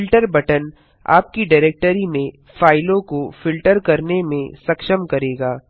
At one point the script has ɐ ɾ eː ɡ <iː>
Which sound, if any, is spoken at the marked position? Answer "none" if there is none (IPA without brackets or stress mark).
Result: aː